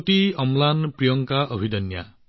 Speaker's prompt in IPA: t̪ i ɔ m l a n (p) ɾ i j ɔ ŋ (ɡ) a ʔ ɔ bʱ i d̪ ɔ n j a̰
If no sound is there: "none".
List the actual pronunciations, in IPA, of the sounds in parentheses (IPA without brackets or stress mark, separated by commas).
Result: p, k